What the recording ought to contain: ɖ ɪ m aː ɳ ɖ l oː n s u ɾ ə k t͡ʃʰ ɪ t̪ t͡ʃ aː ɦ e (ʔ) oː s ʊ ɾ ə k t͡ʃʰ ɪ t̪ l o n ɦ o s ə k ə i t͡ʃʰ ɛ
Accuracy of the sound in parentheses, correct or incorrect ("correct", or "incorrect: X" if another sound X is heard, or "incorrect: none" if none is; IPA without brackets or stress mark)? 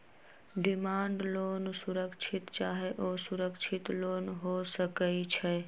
correct